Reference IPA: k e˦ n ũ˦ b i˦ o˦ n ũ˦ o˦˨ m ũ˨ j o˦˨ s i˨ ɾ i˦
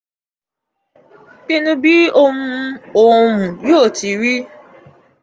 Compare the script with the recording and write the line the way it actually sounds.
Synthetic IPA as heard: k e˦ n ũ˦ b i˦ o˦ m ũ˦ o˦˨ m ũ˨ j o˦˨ t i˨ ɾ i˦